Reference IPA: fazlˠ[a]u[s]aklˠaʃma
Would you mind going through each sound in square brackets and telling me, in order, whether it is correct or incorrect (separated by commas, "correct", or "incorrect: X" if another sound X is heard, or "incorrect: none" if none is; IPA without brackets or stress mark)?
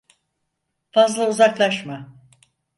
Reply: correct, incorrect: z